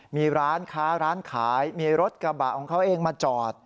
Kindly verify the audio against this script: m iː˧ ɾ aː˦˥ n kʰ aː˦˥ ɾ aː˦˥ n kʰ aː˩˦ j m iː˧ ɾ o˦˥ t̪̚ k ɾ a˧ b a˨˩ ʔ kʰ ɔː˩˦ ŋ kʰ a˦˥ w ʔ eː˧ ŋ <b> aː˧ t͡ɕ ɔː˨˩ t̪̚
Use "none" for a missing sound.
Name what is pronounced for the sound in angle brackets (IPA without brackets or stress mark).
m